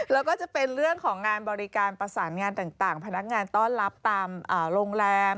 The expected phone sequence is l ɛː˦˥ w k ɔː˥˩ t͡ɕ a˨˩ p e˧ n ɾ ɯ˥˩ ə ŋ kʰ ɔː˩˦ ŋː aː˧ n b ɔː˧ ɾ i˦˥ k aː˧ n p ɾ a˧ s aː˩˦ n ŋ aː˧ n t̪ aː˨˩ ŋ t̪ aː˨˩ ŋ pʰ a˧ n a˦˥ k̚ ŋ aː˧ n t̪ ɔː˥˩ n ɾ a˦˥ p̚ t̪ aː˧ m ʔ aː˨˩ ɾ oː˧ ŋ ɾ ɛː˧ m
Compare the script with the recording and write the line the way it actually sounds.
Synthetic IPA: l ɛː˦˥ w k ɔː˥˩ t͡ɕ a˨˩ p e˧ n ɾ ɯ˥˩ ə ŋ kʰ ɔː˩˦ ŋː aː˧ n b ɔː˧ ɾ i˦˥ k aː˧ n p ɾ a˧ s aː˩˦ n ŋ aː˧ n t̪ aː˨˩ ŋ t̪ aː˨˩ ŋ pʰ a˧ n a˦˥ k̚ ŋ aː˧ n t̪ ɔː˥˩ n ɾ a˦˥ p̚ t̪ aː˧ m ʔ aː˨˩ ɾ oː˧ ŋ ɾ ɛː˧ m

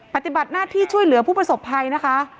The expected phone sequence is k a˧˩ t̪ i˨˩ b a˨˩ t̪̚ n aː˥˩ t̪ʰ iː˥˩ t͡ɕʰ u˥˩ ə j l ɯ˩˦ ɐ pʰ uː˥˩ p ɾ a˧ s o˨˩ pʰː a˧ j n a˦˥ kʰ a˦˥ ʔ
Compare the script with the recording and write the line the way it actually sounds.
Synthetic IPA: p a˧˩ t̪ i˨˩ b a˨˩ t̪̚ n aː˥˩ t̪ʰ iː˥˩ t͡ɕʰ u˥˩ ə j l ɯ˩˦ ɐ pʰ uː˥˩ p ɾ a˧ s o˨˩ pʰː a˧ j n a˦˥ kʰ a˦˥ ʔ

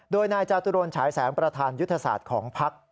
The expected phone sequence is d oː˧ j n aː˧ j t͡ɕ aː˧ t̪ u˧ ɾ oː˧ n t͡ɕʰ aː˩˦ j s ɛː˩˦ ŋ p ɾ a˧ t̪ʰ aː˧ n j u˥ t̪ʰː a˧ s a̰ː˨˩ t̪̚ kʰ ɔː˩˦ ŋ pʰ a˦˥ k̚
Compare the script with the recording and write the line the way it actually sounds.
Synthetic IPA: d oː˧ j n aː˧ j t͡ɕ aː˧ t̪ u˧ ɾ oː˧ n t͡ɕʰ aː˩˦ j s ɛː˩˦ ŋ p ɾ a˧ t̪ʰ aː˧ n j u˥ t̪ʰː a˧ s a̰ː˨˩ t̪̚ kʰ ɔː˩˦ ŋ pʰ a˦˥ k̚

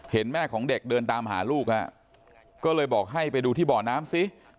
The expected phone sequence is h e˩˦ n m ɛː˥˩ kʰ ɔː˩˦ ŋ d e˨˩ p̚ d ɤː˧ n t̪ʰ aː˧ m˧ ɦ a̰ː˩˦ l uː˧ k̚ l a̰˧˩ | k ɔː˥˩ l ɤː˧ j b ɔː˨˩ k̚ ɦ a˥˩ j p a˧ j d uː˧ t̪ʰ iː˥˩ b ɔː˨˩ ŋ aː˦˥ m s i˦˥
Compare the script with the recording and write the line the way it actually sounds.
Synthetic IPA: h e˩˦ n m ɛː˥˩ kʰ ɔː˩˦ ŋ d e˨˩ k̚ d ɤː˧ n t̪ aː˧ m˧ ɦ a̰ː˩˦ l uː˥˩ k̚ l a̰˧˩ | k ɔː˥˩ l ɤː˧ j b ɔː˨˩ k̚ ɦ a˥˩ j p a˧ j d uː˧ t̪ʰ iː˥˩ b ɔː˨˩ n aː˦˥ m s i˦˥

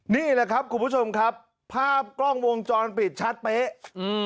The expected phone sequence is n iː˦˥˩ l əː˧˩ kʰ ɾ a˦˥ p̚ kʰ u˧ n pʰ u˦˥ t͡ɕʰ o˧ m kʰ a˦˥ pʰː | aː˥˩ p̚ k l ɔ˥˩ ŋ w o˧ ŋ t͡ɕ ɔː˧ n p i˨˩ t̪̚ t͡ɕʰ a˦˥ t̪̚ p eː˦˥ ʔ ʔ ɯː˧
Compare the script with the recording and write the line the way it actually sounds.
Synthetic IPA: n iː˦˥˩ l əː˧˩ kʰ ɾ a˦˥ p̚ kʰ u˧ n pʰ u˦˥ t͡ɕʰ o˧ m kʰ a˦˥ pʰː | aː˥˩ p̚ k l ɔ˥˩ ŋ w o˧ ŋ t͡ɕ ɔː˧ n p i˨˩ t̪̚ t͡ɕʰ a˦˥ t̪̚ p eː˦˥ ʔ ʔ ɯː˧

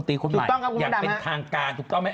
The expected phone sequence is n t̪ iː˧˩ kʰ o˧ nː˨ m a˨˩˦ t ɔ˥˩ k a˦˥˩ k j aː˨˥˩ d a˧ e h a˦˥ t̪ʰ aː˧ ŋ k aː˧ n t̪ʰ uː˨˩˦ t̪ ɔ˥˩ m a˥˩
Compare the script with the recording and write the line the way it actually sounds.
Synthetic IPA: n t̪ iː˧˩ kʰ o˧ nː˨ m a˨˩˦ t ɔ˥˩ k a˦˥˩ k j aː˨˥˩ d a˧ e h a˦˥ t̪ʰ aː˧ ŋ k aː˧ n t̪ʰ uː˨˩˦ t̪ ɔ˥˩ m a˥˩

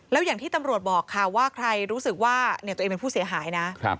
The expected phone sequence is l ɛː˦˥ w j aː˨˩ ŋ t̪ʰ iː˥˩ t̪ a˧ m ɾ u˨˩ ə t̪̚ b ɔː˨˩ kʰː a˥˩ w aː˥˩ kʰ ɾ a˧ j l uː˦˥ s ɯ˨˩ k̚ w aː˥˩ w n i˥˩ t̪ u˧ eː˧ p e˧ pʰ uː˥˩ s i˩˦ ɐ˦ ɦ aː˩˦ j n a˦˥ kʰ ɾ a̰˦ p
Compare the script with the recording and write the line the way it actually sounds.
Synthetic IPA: l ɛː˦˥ w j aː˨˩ ŋ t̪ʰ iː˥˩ t̪ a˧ m ɾ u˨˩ ə t̪̚ b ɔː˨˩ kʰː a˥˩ w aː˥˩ kʰ ɾ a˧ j ɾ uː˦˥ s ɯ˨˩ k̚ w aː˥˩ n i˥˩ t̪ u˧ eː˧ p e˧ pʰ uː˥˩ s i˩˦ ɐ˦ ɦ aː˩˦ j n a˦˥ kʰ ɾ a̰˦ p

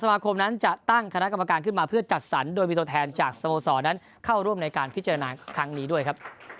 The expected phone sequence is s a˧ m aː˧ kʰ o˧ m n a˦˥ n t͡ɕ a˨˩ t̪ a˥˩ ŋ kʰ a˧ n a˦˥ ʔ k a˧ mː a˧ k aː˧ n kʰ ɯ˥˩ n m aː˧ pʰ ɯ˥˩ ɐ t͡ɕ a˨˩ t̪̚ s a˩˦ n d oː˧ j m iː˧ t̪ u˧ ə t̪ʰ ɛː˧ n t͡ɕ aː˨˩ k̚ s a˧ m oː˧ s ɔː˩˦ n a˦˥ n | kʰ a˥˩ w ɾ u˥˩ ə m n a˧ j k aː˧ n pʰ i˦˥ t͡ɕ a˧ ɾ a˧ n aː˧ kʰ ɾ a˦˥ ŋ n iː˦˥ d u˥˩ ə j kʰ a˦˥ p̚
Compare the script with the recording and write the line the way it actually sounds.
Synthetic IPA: s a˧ m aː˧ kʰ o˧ m n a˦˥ n t͡ɕ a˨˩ t̪ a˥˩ ŋ kʰ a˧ n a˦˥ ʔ k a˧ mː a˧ k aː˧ n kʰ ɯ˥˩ n m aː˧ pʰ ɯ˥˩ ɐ t͡ɕ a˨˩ t̪̚ s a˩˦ n d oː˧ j m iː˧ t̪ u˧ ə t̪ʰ ɛː˧ n t͡ɕ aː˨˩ k̚ s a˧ m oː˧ s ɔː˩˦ n a˦˥ n | kʰ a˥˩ w ɾ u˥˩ ə m n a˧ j k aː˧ n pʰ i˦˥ t͡ɕ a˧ ɾ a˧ n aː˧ kʰ ɾ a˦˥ ŋ n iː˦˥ d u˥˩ ə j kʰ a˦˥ p̚

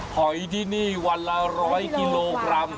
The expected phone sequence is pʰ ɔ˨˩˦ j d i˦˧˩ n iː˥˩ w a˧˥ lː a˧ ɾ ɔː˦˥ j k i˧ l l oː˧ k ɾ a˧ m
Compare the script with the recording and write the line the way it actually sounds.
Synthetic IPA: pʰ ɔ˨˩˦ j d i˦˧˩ n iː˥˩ w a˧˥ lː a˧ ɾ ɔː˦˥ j k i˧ l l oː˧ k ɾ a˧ m

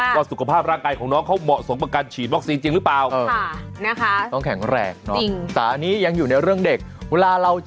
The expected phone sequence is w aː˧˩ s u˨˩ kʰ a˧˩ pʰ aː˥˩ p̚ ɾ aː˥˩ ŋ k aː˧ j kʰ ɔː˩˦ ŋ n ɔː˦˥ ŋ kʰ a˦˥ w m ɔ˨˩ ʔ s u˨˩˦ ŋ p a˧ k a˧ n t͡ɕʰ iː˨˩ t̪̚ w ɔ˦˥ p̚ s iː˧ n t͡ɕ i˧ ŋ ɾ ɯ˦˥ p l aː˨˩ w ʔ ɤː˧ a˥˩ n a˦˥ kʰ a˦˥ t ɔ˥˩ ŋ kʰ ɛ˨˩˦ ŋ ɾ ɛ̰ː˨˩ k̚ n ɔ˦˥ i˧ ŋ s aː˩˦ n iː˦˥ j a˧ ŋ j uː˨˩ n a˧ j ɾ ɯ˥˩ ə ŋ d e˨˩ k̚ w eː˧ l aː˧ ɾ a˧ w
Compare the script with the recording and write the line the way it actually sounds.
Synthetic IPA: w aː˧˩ s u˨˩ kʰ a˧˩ pʰ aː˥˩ p̚ ɾ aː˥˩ ŋ k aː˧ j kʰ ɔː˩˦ ŋ n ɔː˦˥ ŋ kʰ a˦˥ w m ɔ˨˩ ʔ s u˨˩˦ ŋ p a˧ k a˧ n t͡ɕʰ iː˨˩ t̪̚ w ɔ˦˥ k̚ s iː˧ n t͡ɕ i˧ ŋ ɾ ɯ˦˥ p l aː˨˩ w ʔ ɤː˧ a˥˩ n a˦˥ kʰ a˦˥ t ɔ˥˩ ŋ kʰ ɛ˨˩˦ ŋ ɾ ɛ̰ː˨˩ k̚ n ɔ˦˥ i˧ ŋ s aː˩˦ n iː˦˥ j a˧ ŋ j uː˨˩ n a˧ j ɾ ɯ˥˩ ə ŋ d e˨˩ k̚ w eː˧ l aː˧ ɾ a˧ w

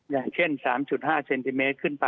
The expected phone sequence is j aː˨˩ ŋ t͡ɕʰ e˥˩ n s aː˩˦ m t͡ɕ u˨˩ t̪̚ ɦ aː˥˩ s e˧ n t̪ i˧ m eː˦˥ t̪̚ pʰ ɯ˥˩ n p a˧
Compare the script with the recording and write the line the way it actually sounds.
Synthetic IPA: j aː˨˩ ŋ t͡ɕʰ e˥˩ n s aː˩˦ m t͡ɕ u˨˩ t̪̚ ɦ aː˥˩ s e˧ n t̪ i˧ m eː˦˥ t̪̚ kʰ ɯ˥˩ n p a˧

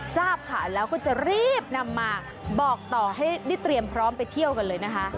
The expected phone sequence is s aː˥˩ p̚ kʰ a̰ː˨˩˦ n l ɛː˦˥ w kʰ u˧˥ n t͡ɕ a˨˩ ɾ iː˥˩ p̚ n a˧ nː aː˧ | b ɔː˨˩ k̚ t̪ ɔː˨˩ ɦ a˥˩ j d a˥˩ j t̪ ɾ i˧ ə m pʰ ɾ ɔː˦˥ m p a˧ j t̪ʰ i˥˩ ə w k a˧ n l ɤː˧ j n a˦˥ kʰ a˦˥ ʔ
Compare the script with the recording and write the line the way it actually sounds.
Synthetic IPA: s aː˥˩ p̚ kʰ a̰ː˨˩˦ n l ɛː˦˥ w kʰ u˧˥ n t͡ɕ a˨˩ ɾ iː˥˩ p̚ n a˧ mː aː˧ | b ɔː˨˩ k̚ t̪ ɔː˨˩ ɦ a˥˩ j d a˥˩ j t̪ ɾ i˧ ə m pʰ ɾ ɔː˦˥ m p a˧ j t̪ʰ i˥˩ ə w k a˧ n l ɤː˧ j n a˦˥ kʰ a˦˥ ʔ

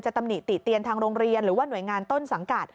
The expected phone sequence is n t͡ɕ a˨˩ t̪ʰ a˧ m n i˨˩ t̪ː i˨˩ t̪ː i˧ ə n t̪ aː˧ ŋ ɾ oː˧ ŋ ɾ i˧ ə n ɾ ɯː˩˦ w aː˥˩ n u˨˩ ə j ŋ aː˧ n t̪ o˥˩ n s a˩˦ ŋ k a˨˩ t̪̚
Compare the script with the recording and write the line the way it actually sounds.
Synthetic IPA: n t͡ɕ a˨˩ t̪ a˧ m n i˨˩ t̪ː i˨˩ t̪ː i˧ ə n t̪ʰ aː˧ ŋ ɾ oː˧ ŋ ɾ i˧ ə n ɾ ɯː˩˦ w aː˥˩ n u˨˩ ə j ŋ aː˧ n t̪ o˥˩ n s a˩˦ ŋ k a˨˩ t̪̚

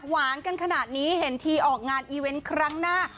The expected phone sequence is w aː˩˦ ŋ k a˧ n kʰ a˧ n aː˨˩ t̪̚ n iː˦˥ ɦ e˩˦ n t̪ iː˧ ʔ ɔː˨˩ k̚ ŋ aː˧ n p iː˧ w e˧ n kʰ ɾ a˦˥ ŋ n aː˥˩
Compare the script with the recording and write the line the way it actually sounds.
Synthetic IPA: w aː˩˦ n k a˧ n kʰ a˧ n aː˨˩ t̪̚ n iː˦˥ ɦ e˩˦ n t̪ʰ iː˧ ʔ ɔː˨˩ k̚ ŋ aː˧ n ʔ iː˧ w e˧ n kʰ ɾ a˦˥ ŋ n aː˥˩

